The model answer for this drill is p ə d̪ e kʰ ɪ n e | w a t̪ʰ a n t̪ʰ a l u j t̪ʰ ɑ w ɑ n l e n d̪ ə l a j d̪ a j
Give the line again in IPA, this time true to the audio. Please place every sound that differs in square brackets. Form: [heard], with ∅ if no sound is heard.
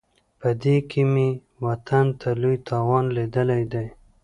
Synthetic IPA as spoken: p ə d̪ e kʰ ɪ [m] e | w a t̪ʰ a n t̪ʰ a l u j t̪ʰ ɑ w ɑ n l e [∅] d̪ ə l a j d̪ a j

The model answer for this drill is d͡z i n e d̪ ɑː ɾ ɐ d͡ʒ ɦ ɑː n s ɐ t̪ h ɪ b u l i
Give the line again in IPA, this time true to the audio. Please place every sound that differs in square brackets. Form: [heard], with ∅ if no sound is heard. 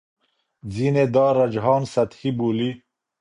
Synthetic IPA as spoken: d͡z i n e d̪ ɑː ɾ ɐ d͡ʒ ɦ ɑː n s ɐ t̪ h [i] b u l i

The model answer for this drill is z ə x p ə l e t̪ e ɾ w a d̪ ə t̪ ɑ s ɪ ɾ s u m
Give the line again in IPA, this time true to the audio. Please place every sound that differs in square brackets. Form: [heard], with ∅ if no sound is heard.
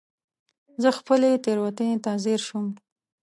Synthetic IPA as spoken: z ə x p ə l e t̪ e ɾ w a [t̪] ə t̪ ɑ [z] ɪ ɾ [ʃ] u m

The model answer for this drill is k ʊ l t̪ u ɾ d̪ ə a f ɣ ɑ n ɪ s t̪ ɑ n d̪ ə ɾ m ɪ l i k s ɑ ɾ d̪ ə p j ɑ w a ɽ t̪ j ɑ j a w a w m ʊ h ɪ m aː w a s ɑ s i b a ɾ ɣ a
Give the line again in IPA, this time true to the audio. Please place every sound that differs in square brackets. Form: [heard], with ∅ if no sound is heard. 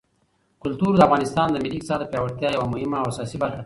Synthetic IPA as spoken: k ʊ l t̪ u ɾ d̪ ə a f ɣ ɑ n ɪ s t̪ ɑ n d̪ ə [∅] m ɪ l i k s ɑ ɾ d̪ ə p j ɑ w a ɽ t̪ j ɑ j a w a [∅] m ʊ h ɪ m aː w a s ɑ s i b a ɾ [x] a

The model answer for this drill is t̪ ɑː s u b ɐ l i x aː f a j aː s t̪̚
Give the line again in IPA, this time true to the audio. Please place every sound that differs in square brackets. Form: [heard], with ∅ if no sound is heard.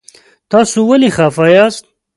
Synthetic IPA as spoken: t̪ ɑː s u [w] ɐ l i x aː f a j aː s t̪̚

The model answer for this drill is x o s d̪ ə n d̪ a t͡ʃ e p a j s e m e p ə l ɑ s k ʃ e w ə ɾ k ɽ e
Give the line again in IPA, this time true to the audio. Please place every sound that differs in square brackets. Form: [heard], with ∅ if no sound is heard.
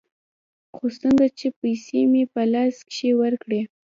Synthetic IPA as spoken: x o s [t̪] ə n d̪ a t͡ʃ e p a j s e m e p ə l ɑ s k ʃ e w ə ɾ k ɽ e

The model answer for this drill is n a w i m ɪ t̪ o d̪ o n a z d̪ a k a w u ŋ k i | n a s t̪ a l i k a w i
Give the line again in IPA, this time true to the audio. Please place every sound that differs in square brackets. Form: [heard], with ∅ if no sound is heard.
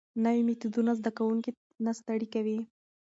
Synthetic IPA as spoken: n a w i m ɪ t̪ [u] d̪ [u] n a z d̪ a k a w u ŋ k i | n a s t̪ a [ɽ] i k a w i

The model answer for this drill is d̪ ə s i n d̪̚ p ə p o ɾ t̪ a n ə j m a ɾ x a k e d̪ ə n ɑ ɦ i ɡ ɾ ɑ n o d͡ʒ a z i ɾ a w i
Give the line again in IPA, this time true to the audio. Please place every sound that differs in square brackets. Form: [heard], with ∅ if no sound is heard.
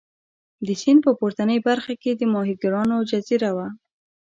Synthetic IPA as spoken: d̪ ə s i n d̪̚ p ə p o ɾ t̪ a n ə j [b] a ɾ x a k e d̪ ə [m] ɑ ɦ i ɡ ɾ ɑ n o d͡ʒ a z i ɾ a w [a]

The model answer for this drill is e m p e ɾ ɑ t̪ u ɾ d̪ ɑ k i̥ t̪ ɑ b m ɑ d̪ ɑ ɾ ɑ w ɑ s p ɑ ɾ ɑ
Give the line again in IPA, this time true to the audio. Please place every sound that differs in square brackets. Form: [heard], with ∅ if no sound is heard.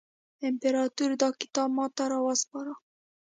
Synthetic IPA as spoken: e m p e ɾ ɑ t̪ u ɾ d̪ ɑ k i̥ t̪ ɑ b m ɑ [t̪] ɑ ɾ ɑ w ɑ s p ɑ ɾ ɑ

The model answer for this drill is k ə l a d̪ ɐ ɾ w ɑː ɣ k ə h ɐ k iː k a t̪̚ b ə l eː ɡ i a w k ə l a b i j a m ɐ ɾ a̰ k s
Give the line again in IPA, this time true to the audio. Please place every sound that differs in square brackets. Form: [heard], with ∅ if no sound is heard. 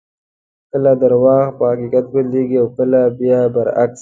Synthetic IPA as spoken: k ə l a d̪ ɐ ɾ w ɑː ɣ [p] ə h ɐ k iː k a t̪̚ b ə l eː ɡ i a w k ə l a b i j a [b] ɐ ɾ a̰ k s

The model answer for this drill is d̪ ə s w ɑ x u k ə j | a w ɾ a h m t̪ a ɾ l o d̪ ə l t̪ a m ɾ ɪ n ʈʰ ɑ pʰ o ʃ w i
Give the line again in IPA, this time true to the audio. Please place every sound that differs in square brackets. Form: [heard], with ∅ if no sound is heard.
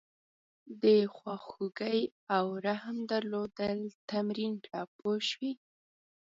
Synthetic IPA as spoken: d̪ ə [x] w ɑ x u [ɡ] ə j | a w ɾ a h m [d̪] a ɾ l o d̪ ə l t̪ a m ɾ [i] n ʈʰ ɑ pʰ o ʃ w i

